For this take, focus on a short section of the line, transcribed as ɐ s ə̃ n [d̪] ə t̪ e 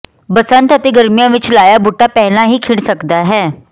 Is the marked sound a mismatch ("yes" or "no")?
yes